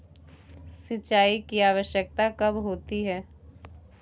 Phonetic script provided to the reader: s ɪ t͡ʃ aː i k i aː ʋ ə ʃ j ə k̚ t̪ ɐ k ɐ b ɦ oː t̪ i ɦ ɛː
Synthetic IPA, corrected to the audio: s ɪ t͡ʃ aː i k i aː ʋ ə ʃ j ə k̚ t̪ a k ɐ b ɦ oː t̪ i ɦ ɛː